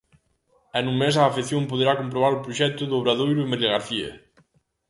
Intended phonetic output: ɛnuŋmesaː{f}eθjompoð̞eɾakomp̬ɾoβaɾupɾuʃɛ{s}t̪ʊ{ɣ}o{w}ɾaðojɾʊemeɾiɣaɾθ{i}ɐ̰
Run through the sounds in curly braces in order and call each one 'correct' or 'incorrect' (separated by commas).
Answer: correct, incorrect, incorrect, incorrect, correct